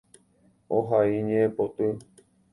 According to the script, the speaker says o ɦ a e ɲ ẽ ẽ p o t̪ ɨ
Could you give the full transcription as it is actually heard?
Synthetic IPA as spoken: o ɦ a i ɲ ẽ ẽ p o t̪ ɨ